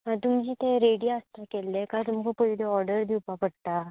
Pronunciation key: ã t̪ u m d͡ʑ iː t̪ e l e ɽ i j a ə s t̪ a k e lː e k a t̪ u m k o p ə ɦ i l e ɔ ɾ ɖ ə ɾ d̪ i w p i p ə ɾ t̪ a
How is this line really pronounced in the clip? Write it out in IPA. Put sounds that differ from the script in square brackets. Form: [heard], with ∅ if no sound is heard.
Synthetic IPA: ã t̪ u m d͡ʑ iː t̪ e [ɾ] e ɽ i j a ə s t̪ a k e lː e k a t̪ u m k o p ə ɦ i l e ɔ ɾ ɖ ə ɾ d̪ i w p [a] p ə [ɽ] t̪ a